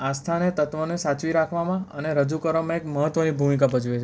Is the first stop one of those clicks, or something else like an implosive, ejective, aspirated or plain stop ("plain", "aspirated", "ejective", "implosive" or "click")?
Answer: aspirated